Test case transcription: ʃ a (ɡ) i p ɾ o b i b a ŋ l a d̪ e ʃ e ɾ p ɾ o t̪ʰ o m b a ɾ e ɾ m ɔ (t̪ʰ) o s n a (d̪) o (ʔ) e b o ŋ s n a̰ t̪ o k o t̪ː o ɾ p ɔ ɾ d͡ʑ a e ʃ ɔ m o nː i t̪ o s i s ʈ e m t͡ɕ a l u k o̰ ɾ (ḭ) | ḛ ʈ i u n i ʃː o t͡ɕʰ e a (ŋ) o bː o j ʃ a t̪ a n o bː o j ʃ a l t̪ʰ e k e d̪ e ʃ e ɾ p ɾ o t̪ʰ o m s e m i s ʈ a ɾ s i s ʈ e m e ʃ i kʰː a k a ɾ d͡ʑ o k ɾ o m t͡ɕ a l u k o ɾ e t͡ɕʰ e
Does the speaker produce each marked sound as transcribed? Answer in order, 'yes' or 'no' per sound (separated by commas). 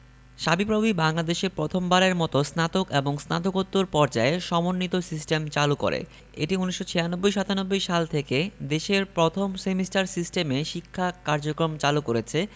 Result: no, no, no, no, no, no